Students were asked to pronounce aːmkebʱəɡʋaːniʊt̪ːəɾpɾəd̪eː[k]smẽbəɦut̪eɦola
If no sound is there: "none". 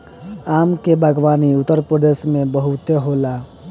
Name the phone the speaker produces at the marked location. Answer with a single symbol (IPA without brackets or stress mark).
none